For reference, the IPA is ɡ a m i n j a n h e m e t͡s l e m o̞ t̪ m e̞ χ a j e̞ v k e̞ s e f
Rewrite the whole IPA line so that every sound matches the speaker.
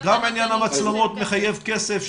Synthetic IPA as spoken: ɡ a m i n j a n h a m a t͡s l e m o̞ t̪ m e̞ χ a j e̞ v k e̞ s e f